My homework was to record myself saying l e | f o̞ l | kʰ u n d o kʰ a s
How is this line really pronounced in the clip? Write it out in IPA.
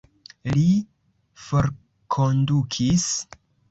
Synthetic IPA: l i | f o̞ ɾ | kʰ o n d u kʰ i s